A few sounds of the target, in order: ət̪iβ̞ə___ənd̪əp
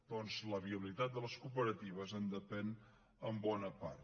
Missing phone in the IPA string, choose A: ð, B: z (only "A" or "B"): B